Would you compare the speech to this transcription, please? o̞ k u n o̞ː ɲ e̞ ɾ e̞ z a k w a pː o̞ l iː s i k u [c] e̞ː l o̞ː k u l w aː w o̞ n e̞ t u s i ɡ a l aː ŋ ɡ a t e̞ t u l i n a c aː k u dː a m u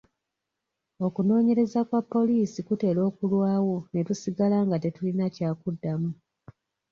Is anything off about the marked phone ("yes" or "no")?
yes